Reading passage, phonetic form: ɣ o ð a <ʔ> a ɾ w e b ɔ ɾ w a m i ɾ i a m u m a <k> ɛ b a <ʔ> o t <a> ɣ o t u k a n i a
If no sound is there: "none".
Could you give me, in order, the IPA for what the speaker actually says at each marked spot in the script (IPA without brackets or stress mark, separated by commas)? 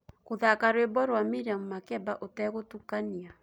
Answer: k, k, ʔ, ɛ